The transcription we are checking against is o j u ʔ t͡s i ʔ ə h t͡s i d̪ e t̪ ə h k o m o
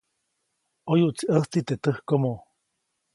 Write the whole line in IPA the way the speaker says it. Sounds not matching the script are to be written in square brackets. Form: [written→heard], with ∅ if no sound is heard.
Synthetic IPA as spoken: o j u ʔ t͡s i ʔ ə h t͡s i [d̪→t̪] e t̪ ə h k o m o